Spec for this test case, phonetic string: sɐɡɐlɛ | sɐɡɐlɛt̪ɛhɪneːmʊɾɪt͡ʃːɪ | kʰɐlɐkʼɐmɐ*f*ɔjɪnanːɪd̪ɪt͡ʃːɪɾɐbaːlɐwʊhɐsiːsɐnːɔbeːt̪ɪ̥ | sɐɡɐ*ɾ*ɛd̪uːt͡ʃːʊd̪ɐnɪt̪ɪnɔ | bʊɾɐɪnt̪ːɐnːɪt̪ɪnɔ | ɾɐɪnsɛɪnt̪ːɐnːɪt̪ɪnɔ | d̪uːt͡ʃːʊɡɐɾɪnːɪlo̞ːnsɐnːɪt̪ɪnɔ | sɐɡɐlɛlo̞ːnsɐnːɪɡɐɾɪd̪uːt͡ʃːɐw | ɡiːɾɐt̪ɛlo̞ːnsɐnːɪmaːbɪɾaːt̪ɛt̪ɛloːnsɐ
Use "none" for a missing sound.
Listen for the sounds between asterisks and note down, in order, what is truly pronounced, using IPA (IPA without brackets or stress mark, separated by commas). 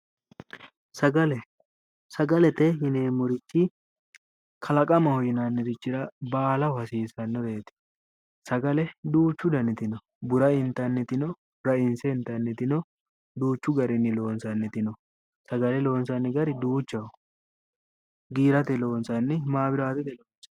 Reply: h, l